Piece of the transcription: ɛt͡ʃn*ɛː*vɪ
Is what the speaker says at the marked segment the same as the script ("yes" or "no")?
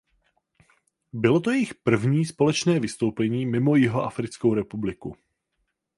yes